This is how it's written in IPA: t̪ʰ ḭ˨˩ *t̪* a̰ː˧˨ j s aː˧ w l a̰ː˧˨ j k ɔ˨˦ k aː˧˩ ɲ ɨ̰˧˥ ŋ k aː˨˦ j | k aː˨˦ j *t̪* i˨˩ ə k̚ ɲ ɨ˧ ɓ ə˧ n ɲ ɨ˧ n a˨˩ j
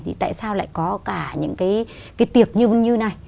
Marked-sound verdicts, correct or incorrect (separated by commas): correct, correct